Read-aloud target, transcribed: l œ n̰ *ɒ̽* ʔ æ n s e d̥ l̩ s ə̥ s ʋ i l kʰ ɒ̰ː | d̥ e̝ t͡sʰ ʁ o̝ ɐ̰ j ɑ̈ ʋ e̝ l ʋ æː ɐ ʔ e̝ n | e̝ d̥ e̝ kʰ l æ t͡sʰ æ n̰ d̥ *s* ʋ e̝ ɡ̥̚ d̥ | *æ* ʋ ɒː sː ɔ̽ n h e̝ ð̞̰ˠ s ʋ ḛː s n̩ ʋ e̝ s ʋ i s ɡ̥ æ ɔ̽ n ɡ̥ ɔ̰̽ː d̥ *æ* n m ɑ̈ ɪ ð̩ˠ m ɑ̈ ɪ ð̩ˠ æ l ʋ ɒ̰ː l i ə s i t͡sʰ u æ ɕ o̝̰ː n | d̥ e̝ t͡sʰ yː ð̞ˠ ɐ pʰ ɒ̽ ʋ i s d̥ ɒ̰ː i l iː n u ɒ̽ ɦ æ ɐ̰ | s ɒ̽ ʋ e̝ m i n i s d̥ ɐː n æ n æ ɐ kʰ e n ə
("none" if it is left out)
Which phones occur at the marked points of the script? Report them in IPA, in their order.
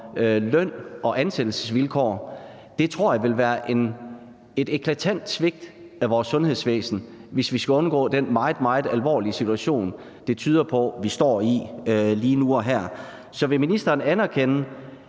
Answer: ɒ̽, s, æ, e

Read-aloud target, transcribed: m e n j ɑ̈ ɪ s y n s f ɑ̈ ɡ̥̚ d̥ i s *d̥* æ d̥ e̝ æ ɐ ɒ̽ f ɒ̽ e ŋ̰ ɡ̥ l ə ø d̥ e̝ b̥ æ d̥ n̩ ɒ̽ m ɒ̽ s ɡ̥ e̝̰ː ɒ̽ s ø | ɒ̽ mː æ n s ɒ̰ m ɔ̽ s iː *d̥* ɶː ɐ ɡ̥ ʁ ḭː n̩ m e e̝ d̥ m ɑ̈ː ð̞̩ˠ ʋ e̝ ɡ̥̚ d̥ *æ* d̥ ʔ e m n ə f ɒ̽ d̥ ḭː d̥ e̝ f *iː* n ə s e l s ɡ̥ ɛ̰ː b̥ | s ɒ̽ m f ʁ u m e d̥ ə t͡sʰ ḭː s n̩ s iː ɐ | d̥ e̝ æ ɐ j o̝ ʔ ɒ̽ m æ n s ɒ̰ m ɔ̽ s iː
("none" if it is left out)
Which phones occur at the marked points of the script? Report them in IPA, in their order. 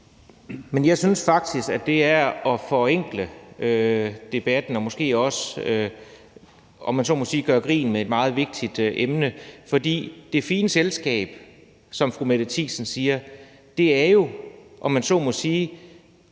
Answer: ɡ̥, ɡ̥, i, iː

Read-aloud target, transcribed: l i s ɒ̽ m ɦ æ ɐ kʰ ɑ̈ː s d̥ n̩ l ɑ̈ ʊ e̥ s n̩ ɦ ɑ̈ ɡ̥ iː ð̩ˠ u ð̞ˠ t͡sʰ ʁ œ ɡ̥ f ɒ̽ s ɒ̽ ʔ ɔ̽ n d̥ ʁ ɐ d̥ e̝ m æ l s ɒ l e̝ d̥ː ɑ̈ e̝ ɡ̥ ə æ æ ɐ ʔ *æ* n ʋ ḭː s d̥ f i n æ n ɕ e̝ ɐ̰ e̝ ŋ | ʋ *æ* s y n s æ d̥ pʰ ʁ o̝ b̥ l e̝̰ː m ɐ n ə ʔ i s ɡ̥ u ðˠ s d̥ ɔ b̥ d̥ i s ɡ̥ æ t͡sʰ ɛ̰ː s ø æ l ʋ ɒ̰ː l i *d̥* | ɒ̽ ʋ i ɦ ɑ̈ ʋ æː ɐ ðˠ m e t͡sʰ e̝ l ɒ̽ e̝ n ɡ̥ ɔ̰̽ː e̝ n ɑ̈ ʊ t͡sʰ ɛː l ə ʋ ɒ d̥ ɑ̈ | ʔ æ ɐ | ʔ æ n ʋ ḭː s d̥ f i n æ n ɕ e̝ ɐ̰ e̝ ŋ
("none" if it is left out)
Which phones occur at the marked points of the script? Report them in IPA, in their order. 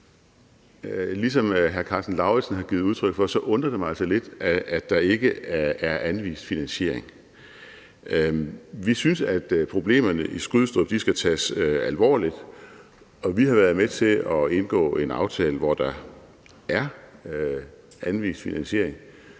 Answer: æ, i, d̥

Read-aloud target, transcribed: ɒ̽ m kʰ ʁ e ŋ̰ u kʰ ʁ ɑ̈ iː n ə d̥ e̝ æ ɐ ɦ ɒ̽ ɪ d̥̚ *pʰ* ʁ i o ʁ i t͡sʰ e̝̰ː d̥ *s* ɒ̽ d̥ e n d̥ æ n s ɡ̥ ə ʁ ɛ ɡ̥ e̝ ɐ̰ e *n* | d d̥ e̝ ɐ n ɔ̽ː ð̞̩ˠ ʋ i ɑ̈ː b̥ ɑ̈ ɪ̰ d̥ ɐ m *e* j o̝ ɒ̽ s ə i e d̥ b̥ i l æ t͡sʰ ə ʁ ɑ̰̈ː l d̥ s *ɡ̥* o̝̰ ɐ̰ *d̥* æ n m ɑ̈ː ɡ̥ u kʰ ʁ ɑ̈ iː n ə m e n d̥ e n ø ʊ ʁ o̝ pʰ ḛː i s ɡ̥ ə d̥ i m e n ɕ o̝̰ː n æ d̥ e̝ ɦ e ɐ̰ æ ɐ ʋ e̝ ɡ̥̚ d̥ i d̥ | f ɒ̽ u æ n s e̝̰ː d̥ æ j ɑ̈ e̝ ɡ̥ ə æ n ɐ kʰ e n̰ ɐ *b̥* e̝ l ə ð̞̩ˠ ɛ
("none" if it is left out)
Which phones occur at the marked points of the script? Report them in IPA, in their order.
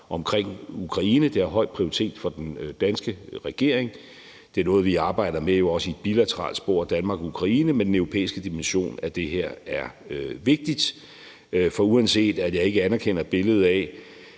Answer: pʰ, f, ŋ, e, b̥, d̥, b̥

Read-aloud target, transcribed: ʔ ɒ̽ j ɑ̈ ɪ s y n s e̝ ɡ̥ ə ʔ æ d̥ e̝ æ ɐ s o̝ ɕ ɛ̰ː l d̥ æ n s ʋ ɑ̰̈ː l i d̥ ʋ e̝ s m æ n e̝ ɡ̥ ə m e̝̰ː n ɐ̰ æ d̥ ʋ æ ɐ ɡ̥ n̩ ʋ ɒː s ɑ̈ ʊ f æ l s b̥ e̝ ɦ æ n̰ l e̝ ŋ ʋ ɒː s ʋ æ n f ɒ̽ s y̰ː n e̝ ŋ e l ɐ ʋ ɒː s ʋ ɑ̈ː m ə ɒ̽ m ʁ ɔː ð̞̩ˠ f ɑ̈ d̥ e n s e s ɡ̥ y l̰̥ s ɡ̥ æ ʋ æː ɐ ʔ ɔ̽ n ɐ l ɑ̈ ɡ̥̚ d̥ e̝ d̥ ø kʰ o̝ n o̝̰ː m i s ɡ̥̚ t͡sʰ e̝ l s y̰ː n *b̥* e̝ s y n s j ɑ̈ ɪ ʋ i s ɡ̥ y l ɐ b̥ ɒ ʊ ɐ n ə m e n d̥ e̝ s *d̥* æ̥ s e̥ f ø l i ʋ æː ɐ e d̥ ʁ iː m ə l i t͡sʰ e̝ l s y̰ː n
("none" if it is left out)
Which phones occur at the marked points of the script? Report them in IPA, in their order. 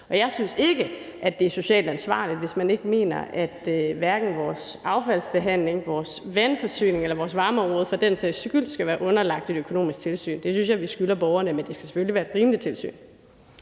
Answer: d̥, ɡ̥

